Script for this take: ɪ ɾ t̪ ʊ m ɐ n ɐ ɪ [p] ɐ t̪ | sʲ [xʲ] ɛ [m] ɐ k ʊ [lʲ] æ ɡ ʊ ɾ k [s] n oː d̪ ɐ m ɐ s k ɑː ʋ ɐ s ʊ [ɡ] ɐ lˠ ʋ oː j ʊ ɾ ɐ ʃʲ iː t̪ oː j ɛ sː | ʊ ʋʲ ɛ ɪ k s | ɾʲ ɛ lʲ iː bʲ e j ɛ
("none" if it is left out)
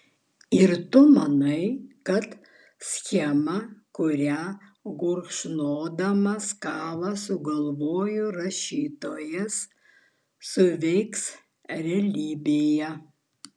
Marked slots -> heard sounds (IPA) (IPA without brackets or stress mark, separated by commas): k, xʲ, m, ɾʲ, ʃ, ɡ